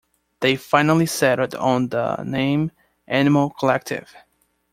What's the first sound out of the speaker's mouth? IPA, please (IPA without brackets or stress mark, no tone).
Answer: ð